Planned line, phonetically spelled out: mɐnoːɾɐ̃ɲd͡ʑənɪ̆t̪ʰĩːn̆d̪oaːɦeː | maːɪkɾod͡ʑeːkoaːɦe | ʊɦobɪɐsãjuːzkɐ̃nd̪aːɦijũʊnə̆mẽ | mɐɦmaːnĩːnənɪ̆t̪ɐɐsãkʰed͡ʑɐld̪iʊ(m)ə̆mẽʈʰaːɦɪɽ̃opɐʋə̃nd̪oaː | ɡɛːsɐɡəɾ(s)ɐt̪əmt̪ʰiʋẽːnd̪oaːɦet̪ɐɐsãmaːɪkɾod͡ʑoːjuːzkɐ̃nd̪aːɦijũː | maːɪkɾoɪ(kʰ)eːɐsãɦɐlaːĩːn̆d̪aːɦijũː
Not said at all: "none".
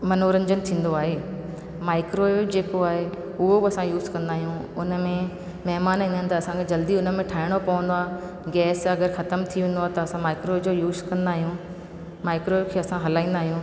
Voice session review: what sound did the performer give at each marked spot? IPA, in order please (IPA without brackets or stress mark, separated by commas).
n, x, kʰ